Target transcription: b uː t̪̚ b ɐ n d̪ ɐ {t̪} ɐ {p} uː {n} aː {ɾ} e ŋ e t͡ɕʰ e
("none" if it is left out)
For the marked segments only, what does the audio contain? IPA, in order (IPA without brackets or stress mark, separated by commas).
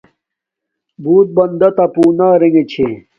t̪, p, n, ɾ